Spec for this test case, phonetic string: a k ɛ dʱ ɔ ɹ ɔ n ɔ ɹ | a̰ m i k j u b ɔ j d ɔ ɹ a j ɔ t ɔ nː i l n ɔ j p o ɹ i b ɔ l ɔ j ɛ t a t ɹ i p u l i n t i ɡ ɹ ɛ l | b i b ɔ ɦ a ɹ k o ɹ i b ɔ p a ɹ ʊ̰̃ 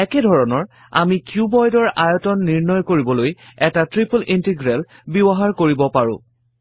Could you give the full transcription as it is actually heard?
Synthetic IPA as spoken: ɛ k ɛ dʱ ɔ ɹ ɔ n ɔ ɹ | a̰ m i k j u b ɔ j d ɔ ɹ a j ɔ t ɔ nː i ɹ n ɔ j k o ɹ i b ɔ l o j ɛ t a t ɹ i p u l i n t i ɡ ɹ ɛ l | b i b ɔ ɦ a ɹ k o ɹ i b ɔ p a ɹ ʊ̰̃